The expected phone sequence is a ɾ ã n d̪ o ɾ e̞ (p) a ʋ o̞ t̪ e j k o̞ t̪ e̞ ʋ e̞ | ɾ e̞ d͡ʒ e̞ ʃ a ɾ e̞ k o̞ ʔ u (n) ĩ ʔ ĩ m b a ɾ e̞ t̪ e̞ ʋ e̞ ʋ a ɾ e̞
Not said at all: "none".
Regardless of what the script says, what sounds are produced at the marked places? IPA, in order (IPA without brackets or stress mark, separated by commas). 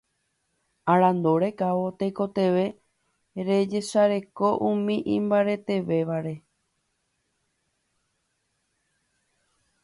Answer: k, m